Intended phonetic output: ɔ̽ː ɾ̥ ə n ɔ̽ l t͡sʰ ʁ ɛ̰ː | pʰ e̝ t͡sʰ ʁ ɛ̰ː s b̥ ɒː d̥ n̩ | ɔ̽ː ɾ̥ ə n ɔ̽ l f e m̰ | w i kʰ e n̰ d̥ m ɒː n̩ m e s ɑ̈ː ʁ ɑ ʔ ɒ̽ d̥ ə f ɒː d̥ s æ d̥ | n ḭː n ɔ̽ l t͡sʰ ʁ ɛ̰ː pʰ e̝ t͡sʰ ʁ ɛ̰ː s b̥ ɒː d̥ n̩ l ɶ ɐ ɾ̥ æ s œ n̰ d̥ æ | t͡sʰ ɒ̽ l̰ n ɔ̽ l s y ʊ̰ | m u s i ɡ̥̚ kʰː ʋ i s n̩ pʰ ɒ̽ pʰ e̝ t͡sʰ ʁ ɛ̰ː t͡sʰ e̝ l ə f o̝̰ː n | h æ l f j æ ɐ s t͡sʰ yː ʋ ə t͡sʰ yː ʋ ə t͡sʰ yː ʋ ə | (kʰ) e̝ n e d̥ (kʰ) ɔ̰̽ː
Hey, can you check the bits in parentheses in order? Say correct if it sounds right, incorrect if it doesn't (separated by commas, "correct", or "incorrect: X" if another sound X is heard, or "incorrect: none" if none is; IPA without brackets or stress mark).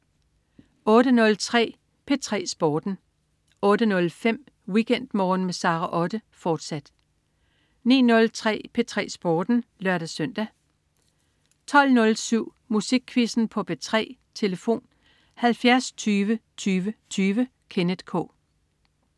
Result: correct, correct